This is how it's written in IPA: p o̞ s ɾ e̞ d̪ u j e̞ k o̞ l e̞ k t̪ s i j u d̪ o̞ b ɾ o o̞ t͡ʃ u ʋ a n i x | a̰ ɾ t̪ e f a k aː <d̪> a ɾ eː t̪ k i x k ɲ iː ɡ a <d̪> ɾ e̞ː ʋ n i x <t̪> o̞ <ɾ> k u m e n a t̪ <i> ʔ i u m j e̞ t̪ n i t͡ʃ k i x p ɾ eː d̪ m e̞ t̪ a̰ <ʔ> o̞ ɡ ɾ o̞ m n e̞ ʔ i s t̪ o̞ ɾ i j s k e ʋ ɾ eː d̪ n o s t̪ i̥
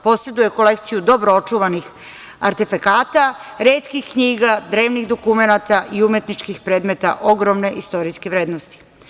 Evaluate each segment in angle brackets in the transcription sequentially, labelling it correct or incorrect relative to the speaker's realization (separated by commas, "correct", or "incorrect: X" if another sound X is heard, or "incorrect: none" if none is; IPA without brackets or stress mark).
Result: incorrect: t̪, correct, incorrect: d̪, incorrect: none, incorrect: a, correct